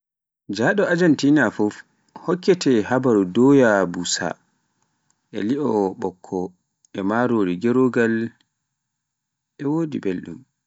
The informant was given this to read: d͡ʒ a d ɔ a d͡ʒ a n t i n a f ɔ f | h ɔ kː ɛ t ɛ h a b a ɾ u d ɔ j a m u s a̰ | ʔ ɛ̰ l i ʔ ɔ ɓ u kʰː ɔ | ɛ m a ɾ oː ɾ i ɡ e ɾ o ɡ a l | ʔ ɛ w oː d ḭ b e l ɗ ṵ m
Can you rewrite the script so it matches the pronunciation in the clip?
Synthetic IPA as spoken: d͡ʒ a ɗ ɔ a d͡ʒ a n t i n a f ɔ f | h ɔ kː ɛ t ɛ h a b a ɾ u d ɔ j a b u s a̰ | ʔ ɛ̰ l i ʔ ɔ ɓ ɔ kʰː ɔ | ɛ m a ɾ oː ɾ i ɡ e ɾ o ɡ a l | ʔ ɛ w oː d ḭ b e l ɗ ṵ m